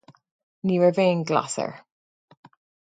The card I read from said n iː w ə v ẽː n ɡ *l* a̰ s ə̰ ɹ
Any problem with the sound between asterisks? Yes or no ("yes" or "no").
no